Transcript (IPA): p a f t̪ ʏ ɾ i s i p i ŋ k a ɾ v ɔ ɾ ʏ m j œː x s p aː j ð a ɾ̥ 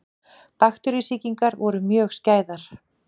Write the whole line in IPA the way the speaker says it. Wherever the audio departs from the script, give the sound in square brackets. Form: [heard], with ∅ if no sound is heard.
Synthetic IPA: p a [x] t̪ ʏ ɾ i s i [c] i ŋ k a ɾ v ɔ ɾ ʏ m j œː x s [c] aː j ð a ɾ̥

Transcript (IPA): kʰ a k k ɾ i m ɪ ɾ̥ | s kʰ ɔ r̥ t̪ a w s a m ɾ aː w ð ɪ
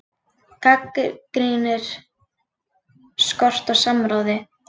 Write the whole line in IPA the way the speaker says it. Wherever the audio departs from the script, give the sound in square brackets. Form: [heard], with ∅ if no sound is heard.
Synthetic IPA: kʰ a k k ɾ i [n] ɪ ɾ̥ | s [k] ɔ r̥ t̪ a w s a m ɾ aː w ð ɪ

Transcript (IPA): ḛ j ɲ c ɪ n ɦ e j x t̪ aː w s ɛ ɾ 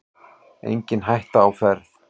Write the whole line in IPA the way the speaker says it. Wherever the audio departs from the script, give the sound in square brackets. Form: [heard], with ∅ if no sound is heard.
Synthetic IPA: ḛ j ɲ c ɪ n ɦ [a] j [h] t̪ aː w [f] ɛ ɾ

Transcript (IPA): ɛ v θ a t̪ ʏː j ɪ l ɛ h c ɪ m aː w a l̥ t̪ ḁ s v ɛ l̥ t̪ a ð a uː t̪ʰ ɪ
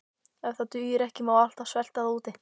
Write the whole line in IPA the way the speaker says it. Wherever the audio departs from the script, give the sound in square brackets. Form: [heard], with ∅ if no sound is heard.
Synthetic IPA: ɛ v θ a t̪ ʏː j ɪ [ɾ] ɛ h c ɪ m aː w a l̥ t̪ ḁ s v ɛ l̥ t̪ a ð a uː [t̪] ɪ

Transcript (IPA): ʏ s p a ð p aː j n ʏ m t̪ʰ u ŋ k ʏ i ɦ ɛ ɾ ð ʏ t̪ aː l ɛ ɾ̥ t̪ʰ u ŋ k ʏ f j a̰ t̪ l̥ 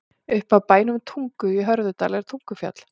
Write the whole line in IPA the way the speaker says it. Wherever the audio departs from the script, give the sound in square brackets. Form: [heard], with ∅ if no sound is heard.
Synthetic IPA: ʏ [h] p a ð p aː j n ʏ m t̪ʰ u ŋ k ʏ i ɦ [œ] ɾ ð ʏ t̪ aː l ɛ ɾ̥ t̪ʰ u ŋ k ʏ f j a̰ t̪ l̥

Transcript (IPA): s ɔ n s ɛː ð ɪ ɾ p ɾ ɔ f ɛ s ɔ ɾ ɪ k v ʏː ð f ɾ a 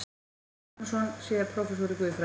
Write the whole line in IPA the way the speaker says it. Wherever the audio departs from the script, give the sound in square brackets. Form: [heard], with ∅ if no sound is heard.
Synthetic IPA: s ɔ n s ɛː ð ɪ ɾ [pʰ] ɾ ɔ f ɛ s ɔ ɾ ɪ k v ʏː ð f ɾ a

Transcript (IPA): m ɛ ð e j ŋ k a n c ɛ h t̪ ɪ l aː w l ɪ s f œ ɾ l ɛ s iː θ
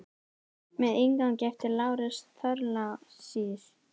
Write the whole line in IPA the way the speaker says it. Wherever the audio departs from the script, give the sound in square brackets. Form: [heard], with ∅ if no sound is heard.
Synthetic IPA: m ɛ ð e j ŋ k a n c ɛ [f] t̪ ɪ l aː w [ɾ] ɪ s [θ] œ ɾ l [a] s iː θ

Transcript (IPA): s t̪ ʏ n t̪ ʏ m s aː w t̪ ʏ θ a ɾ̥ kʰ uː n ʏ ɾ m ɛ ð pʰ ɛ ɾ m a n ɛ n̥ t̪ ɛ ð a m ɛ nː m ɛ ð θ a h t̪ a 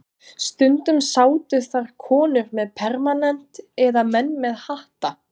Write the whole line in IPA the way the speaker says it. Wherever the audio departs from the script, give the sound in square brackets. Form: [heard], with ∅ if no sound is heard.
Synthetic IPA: s t̪ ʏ n t̪ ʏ m s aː w t̪ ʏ θ a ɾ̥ kʰ [ɔː] n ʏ ɾ m ɛ ð pʰ ɛ ɾ m a n ɛ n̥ t̪ ɛ ð a m ɛ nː m ɛ ð [h] a h t̪ a

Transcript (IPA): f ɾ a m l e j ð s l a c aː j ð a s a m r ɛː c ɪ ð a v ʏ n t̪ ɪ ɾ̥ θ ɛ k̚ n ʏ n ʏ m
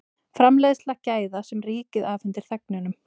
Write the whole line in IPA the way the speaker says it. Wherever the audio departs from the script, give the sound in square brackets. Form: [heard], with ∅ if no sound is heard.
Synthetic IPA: f ɾ a m l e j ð s l a c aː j ð a s [ɛ] m r [iː] c ɪ ð a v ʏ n t̪ ɪ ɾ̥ θ ɛ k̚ n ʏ n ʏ m

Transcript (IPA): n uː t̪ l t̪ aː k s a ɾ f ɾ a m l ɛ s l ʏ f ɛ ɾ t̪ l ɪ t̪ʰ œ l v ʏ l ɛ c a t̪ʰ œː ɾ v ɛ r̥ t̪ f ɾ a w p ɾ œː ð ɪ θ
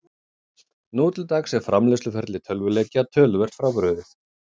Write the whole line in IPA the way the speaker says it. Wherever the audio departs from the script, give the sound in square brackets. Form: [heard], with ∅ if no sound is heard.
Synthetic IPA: n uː t̪ l t̪ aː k s [ɛ] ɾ f ɾ a m l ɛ s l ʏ f ɛ ɾ t̪ l ɪ t̪ʰ œ l v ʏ l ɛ c a t̪ʰ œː [l] v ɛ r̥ t̪ f ɾ a w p ɾ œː ð ɪ θ

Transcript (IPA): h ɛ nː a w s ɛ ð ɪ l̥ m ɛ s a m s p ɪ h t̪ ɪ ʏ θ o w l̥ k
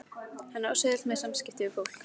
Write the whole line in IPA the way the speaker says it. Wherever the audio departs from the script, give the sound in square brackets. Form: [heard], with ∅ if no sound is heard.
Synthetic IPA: h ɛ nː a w s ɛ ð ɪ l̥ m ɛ s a m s [c] ɪ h t̪ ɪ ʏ [f] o w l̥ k

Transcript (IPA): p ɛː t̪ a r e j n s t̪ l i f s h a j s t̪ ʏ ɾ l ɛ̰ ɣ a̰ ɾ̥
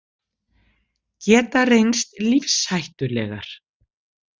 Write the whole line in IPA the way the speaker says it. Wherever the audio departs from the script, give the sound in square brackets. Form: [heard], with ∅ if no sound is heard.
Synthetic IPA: [c] ɛː t̪ a r e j n s t̪ l i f s h a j [h] t̪ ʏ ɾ l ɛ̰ ɣ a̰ ɾ̥

